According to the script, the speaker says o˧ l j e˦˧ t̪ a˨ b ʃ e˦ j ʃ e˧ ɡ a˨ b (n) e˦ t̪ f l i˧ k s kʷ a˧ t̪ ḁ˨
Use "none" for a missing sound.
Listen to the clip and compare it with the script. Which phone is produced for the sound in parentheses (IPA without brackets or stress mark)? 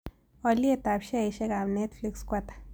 n